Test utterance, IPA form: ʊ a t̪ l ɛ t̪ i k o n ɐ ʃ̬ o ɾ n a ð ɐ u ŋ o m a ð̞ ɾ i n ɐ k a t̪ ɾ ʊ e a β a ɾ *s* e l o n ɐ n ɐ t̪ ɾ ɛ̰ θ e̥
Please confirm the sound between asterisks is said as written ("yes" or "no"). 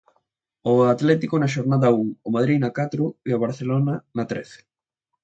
no